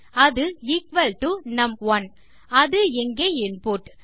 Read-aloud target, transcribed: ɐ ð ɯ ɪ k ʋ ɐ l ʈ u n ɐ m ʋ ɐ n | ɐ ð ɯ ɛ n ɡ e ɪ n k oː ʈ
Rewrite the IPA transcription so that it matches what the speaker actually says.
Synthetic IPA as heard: ɐ ð ɯ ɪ k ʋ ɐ l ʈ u n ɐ m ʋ ɐ n | ɐ ð ɯ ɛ ŋ ɡ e ɪ n p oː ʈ